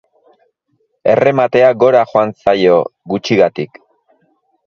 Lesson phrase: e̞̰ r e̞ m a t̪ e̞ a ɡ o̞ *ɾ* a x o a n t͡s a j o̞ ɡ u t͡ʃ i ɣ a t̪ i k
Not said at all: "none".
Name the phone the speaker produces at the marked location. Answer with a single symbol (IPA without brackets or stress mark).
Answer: ɾ